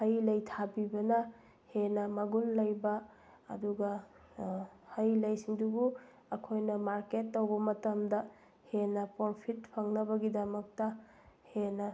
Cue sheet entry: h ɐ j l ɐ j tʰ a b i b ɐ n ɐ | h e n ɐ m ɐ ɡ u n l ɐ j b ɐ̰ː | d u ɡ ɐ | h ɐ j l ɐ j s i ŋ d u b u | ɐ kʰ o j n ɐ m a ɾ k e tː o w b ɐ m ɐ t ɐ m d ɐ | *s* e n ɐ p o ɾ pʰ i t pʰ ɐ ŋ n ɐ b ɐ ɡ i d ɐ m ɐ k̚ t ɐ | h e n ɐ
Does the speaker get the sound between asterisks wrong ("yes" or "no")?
yes